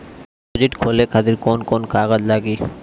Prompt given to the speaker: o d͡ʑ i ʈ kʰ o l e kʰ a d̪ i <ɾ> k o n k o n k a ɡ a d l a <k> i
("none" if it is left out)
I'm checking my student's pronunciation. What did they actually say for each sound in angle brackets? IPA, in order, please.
ɾ, ɡ

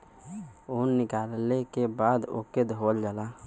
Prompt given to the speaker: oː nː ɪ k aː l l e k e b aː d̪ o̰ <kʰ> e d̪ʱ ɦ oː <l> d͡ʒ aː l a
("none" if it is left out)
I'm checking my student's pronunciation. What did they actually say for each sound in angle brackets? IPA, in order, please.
k, l

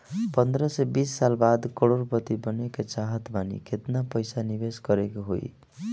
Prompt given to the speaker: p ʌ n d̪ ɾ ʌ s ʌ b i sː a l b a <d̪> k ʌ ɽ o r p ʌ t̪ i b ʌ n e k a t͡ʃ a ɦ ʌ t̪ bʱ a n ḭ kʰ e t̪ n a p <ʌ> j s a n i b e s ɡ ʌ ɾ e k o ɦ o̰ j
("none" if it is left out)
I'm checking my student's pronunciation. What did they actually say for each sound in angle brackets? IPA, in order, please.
d̪, ʌ

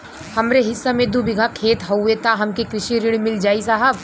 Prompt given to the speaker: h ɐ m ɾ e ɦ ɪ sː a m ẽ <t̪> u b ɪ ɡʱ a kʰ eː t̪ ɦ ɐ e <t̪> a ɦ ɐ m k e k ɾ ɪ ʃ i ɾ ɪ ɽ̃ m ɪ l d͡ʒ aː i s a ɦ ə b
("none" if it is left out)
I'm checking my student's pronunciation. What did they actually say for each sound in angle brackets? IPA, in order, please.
d̪, t̪

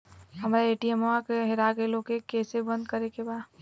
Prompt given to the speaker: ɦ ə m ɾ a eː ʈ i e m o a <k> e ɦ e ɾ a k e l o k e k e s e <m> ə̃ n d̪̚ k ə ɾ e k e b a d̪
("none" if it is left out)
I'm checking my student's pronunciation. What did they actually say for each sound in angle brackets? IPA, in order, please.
k, b

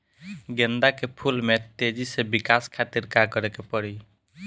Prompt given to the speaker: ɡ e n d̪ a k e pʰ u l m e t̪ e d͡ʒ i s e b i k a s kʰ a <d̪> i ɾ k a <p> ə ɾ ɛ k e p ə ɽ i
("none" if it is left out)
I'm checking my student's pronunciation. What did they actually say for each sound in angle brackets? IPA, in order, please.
t̪, k

